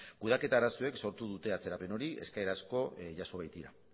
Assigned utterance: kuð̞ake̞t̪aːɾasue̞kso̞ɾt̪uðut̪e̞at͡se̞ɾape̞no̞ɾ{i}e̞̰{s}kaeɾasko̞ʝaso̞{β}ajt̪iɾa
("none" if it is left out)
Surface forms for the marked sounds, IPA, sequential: i, s, β

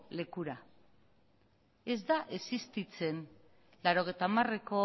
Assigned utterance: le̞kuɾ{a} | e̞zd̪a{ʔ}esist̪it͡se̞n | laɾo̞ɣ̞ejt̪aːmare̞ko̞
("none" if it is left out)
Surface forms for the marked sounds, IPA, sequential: a, ʔ

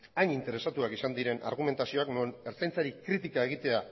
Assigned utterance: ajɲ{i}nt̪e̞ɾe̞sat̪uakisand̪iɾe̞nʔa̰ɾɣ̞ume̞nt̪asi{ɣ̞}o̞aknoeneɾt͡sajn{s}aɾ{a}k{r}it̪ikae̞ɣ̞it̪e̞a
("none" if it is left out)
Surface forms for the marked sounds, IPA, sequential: i, none, t͡s, i, ɾ

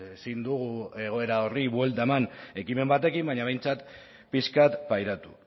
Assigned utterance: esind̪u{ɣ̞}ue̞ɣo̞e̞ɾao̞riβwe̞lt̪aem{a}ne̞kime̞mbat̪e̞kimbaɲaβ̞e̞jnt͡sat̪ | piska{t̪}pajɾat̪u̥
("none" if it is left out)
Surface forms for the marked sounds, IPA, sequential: ɣ̞, a, t̪

